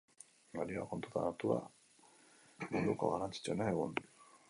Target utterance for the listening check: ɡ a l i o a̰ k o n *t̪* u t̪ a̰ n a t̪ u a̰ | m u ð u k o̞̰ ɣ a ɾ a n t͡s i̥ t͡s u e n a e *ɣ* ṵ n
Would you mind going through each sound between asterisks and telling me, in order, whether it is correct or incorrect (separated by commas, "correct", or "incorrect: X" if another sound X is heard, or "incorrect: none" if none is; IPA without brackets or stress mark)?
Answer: correct, correct